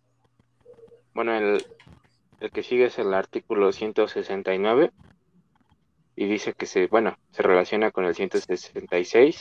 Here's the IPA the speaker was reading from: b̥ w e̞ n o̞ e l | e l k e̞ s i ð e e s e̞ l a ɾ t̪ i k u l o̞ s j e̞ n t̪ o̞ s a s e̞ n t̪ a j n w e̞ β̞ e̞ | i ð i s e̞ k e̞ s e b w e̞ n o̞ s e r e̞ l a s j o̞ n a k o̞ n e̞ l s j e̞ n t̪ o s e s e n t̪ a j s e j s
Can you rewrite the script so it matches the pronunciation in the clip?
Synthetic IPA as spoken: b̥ w e̞ n o̞ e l | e l k e̞ s i ɣ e e s e̞ l a ɾ t̪ i k u l o̞ s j e̞ n t̪ o̞ s e s e̞ n t̪ a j n w e̞ β̞ e̞ | i ð i s e̞ k e̞ s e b w e̞ n o̞ s e r e̞ l a s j o̞ n a k o̞ n e̞ l s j e̞ n t̪ o s e s e n t̪ a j s e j s